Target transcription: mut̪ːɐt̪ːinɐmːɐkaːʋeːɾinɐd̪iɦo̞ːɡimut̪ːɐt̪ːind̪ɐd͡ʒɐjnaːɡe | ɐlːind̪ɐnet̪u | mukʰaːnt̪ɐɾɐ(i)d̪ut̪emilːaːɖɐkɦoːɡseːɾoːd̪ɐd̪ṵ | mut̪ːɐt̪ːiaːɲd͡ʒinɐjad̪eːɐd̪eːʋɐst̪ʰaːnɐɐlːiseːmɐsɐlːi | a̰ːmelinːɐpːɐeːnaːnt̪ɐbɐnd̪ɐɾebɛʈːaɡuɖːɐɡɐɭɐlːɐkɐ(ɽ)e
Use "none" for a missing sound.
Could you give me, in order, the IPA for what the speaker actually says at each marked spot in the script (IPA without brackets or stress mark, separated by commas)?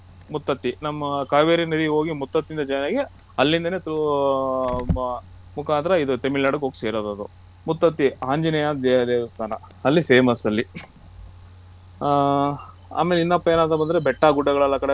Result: i, ɽ